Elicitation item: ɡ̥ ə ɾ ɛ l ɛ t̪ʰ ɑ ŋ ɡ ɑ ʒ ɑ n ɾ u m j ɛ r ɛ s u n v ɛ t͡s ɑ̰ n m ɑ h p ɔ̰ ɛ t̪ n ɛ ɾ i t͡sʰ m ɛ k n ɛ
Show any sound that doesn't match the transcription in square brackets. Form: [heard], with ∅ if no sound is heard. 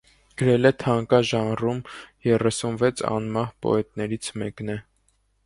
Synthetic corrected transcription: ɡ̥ ə ɾ ɛ l ɛ t̪ʰ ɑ ŋ [k] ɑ ʒ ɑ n [r] u m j ɛ r ɛ s u n v ɛ [t͡sʰ] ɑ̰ n m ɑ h p ɔ̰ ɛ t̪ n ɛ ɾ i t͡sʰ m ɛ k n ɛ